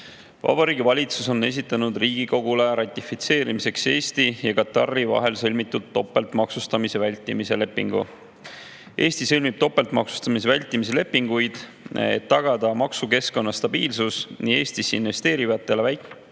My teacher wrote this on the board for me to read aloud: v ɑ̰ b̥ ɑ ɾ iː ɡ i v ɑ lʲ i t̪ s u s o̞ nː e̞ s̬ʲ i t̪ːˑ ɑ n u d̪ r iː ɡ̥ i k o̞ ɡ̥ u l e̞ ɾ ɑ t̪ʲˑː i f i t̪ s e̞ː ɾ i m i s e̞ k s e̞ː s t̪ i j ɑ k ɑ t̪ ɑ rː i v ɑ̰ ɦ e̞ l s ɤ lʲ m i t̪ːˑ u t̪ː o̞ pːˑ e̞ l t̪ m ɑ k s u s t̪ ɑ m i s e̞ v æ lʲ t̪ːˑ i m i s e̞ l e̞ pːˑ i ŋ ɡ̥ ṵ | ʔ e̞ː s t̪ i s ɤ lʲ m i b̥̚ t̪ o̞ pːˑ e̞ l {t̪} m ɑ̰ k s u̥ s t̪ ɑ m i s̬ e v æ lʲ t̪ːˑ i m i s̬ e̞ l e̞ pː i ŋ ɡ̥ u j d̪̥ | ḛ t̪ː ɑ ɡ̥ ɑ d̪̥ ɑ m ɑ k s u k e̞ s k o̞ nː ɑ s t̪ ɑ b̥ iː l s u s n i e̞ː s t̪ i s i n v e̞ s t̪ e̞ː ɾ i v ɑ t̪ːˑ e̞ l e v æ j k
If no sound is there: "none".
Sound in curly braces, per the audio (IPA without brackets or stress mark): t̪